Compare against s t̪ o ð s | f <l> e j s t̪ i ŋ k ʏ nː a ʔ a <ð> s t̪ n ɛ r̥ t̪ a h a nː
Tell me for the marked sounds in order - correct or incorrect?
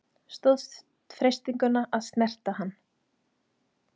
incorrect, correct

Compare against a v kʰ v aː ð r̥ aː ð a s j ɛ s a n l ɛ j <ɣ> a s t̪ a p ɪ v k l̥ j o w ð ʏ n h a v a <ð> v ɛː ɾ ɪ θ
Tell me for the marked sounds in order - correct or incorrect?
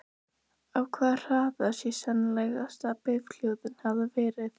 correct, incorrect

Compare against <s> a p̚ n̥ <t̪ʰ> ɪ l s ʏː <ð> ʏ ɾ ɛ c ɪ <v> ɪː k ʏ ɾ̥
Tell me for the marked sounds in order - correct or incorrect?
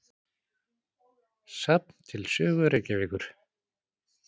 correct, correct, incorrect, correct

